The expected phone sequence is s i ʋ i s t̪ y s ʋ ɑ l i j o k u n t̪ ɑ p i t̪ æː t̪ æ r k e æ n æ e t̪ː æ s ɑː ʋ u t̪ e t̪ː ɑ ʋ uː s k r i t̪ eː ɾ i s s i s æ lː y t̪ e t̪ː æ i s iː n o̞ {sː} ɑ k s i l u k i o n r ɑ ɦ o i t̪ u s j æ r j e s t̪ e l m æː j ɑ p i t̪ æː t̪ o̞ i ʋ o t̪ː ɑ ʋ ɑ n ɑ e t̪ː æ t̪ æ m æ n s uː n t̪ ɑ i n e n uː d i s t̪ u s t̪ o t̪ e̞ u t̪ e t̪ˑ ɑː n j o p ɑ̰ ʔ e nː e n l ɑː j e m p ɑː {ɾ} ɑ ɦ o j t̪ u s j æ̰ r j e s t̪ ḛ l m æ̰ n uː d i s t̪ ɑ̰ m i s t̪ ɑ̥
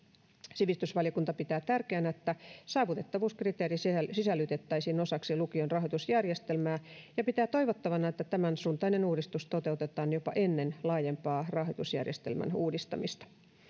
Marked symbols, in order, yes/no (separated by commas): no, no